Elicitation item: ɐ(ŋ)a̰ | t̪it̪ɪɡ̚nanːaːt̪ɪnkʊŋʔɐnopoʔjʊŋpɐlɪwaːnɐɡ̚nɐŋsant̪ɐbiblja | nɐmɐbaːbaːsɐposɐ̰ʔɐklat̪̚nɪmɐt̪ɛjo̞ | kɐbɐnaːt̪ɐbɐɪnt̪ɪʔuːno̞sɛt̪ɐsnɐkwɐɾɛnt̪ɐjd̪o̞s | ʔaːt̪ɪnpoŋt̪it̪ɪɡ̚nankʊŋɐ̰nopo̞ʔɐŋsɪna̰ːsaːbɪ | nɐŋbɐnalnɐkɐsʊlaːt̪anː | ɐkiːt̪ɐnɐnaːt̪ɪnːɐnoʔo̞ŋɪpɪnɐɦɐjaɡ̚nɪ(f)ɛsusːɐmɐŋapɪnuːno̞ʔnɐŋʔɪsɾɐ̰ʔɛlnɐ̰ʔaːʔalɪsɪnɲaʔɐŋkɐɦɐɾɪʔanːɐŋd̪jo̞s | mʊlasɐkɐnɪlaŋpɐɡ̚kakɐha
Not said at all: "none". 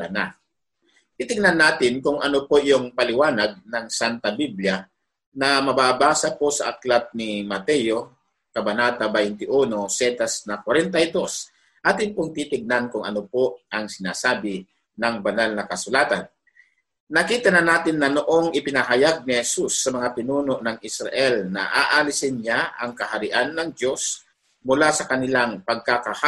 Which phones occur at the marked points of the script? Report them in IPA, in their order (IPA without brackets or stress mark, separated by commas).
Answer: n, h